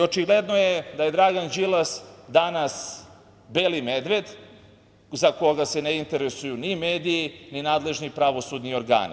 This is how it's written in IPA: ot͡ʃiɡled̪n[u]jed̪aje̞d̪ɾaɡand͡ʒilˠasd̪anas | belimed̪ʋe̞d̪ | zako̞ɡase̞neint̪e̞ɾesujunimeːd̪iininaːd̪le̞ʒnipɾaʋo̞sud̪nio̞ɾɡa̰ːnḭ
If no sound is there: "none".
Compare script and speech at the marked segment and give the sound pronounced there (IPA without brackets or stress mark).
o